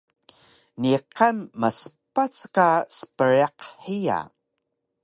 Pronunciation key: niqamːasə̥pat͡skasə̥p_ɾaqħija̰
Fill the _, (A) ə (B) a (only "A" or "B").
A